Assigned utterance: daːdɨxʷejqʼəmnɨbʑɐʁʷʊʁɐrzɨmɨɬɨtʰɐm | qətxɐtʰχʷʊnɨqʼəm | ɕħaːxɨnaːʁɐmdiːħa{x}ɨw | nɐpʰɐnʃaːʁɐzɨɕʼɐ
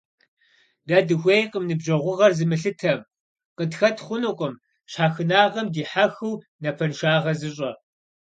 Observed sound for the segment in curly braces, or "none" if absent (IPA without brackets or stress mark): x